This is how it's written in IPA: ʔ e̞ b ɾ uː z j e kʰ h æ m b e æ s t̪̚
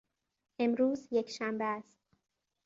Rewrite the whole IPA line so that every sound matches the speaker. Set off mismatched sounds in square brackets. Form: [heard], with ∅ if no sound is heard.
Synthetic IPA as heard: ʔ e̞ [m] ɾ uː z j e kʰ [ʃ] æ m b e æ s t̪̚